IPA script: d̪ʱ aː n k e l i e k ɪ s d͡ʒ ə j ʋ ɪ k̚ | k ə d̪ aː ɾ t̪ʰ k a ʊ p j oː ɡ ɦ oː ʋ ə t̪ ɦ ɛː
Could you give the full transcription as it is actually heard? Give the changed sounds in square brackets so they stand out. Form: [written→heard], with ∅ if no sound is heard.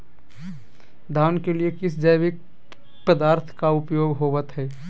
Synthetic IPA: d̪ʱ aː n k e l i e k ɪ s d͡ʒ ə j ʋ ɪ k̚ | [k→p] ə d̪ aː ɾ t̪ʰ k a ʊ p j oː ɡ ɦ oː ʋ ə t̪ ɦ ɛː